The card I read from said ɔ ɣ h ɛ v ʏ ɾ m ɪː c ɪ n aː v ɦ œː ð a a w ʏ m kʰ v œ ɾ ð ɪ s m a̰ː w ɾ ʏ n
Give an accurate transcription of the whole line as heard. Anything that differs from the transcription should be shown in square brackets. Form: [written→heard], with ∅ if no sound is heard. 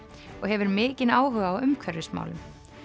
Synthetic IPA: ɔ ɣ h ɛ v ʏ ɾ m ɪː c ɪ n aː [v→w] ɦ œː [ð→ɣ] a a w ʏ m kʰ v œ ɾ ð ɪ s m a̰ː w [ɾ→l] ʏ [n→m]